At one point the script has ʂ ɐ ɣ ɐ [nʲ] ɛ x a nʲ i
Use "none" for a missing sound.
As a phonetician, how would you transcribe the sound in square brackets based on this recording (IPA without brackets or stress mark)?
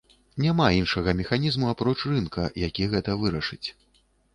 mʲ